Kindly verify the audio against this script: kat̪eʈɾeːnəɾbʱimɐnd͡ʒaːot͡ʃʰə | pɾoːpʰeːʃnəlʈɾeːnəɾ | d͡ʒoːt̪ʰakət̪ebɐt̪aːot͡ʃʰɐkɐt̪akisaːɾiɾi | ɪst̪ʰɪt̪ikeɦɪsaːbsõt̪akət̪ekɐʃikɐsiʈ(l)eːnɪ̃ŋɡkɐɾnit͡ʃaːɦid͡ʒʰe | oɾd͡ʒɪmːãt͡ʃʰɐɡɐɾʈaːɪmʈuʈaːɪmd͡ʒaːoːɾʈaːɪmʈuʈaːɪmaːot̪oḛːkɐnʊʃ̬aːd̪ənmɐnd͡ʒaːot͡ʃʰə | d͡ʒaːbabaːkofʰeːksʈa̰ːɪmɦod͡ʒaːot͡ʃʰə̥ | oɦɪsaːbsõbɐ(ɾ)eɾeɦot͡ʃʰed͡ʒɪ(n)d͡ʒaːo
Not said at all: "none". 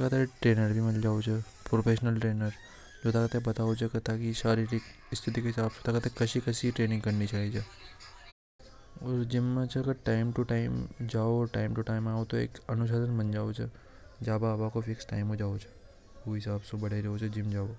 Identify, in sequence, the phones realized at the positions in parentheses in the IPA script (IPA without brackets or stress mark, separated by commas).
ɾ, ɽ, m